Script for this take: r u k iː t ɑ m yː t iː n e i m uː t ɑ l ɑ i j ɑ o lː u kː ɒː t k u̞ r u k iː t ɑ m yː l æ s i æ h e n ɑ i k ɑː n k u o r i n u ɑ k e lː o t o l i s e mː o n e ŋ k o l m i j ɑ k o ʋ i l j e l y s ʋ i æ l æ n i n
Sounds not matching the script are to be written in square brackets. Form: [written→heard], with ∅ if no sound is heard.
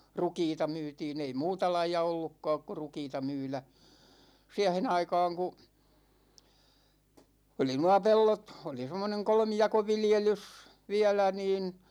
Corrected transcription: r u k iː t ɑ m yː t iː n e i m uː t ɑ l ɑ i j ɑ o lː u kː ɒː [t→k] k u̞ r u k iː t ɑ m yː l æ s i æ h e n ɑ i k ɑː [n→ŋ] k u o [r→l] i n u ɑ [k→p] e lː o t o l i s e mː o n e ŋ k o l m i j ɑ k o ʋ i l j e l y s ʋ i æ l æ n [i→iː] n